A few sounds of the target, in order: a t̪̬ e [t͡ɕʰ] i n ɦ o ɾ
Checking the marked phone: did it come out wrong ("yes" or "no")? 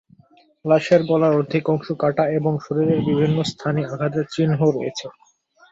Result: yes